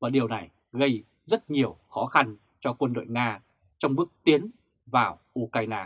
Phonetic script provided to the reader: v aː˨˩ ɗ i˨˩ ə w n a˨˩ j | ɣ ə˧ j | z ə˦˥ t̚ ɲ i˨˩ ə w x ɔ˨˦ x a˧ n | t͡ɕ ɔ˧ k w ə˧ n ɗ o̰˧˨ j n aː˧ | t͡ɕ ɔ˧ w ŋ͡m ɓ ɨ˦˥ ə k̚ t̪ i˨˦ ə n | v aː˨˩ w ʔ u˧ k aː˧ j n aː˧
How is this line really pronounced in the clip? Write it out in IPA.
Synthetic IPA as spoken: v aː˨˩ ɗ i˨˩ ə w n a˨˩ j | ɣ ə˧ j | z ə˦˥ t̚ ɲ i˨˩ ə w x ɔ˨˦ x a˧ n | t͡ɕ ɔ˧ k w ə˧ n ɗ o̰˧˨ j ŋ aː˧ | t͡ɕ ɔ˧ w ŋ͡m ɓ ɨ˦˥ ə k̚ t̪ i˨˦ ə n | v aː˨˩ w ʔ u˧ k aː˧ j n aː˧

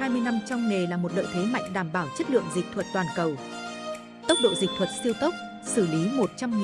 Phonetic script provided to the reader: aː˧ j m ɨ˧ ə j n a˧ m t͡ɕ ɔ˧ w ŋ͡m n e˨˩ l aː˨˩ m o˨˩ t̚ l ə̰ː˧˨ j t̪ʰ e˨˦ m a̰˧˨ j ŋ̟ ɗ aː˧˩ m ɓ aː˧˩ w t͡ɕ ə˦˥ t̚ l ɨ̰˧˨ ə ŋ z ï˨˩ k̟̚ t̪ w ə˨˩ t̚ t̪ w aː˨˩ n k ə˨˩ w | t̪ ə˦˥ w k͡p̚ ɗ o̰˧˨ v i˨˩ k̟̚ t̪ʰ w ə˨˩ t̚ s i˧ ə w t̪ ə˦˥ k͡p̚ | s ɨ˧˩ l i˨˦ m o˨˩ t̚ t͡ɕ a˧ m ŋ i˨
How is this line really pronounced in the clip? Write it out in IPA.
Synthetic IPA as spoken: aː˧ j m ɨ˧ ə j n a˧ m t͡ɕ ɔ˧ w ŋ͡m n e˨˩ l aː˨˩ m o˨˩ t̚ l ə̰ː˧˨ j t̪ʰ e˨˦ m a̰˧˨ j ŋ̟ ɗ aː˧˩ m ɓ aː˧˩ w t͡ɕ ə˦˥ t̚ l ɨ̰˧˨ ə ŋ z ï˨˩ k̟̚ t̪ʰ w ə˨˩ t̚ t̪ w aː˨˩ n k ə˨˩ w | t̪ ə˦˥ w k͡p̚ ɗ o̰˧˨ z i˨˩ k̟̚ t̪ʰ w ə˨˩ t̚ s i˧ ə w t̪ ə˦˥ k͡p̚ | s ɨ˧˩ l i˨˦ m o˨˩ t̚ t͡ɕ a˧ m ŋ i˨

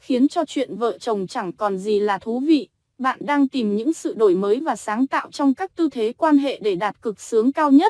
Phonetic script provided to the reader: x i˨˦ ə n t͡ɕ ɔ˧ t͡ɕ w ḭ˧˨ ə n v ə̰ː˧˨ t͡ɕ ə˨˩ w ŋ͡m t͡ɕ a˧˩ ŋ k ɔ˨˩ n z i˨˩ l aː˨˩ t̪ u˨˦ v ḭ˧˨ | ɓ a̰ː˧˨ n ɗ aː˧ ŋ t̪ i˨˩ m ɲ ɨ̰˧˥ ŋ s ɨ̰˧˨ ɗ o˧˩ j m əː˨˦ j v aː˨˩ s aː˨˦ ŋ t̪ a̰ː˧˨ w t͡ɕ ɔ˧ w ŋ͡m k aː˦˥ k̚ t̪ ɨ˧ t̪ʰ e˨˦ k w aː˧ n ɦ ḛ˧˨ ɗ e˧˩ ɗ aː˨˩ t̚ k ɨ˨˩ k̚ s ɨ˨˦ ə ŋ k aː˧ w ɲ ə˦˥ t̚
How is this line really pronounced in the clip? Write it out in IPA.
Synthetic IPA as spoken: x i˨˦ ə n t͡ɕ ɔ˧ t͡ɕ w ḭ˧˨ ə n v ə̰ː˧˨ t͡ɕ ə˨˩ w ŋ͡m t͡ɕ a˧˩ ŋ k ɔ˨˩ n z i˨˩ l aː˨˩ t̪ʰ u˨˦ v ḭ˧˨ | ɓ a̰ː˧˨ n ɗ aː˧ ŋ t̪ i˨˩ m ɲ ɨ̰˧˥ ŋ s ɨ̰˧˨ ɗ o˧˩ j m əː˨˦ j v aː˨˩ s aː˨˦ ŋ t̪ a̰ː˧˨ w t͡ɕ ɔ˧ w ŋ͡m k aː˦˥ k̚ t̪ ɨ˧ t̪ʰ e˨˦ k w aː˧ n ɦ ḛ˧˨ ɗ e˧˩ ɗ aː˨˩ t̚ k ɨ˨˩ k̚ s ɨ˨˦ ə ŋ k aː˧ w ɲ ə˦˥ t̚

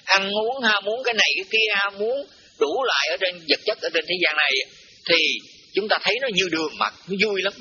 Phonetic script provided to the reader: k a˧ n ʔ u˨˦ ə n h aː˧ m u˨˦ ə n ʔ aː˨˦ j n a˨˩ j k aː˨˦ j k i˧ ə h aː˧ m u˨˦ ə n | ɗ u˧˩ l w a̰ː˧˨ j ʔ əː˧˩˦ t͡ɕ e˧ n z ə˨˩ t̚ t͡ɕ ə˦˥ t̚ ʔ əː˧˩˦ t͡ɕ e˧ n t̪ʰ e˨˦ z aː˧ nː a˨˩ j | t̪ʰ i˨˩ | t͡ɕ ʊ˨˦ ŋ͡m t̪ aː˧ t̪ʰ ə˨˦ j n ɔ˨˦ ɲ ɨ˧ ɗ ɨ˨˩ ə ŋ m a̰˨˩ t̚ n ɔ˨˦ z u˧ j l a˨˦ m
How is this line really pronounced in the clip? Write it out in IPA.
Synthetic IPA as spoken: ʔ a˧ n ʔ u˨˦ ə n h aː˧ m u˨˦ ə n k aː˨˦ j n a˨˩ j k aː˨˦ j k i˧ ə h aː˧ m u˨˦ ə n | ɗ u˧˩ l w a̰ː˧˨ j ʔ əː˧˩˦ t͡ɕ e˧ n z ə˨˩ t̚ t͡ɕ ə˦˥ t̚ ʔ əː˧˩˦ t͡ɕ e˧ n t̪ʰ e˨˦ z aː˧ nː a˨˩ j | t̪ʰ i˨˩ | t͡ɕ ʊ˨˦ ŋ͡m t̪ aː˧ t̪ʰ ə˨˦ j n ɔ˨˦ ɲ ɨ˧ ɗ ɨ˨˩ ə ŋ m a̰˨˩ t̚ n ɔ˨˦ z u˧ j l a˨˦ m

